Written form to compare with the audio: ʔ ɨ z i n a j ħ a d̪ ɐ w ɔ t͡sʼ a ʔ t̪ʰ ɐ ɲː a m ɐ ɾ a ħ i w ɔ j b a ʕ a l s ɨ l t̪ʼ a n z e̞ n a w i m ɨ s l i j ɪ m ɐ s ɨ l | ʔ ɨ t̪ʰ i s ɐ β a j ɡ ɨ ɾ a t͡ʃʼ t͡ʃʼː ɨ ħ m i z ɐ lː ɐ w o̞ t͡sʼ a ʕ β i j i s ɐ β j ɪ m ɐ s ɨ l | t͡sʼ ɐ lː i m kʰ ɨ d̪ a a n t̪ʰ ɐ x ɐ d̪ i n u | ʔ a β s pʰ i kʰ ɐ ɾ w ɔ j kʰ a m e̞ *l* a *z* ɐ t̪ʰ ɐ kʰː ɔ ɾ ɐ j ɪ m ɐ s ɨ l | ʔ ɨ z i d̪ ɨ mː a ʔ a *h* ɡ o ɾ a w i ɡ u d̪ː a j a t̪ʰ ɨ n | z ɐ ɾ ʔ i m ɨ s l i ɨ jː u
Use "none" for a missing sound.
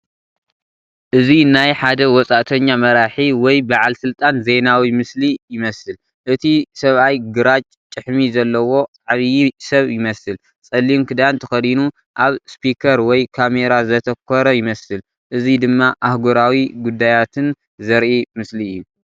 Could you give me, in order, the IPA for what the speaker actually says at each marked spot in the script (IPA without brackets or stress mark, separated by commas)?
ɾ, z, h